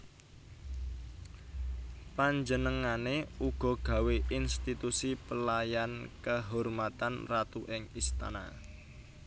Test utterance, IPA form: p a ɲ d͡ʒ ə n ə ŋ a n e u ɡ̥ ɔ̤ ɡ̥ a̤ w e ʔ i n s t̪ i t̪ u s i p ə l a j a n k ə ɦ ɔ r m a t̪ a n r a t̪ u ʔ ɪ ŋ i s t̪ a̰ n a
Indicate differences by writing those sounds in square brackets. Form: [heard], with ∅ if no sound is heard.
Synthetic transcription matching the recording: p a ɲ d͡ʒ ə n ə ŋ a n e u ɡ̥ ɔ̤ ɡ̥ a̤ w e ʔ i n s t̪ i t̪ u s i p ə l a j a n k ə ɦ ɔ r m a t̪ a n r a t̪ u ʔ ɪ ŋ i s t̪ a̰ n a